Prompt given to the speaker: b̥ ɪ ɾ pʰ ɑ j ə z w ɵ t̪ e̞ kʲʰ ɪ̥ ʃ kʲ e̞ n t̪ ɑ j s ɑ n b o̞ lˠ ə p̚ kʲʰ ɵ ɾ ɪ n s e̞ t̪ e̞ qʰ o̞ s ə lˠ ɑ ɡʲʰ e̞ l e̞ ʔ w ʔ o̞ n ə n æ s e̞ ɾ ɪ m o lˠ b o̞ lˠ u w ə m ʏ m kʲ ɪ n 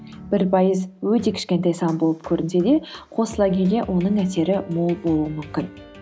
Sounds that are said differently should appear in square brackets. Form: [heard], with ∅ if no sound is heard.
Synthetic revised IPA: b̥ ɪ ɾ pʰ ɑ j ə z w ɵ t̪ e̞ kʲʰ ɪ̥ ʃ kʲ e̞ n t̪ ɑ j s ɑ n b o̞ lˠ ə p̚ kʲʰ ɵ ɾ ɪ n s e̞ [d̪] e̞ qʰ o̞ s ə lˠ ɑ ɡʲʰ e̞ l e̞ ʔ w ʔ o̞ n ə [ɴ] æ s e̞ ɾ ɪ m o lˠ b o̞ lˠ u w ə m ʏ m kʲ ɪ n